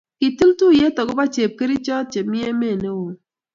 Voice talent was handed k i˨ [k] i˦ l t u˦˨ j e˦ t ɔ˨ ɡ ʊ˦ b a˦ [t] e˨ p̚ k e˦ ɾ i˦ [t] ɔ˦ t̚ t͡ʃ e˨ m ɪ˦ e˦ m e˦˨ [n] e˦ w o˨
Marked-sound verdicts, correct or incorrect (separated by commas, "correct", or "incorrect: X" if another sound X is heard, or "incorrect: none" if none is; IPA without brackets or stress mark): incorrect: t, incorrect: t͡ʃ, incorrect: t͡ʃ, correct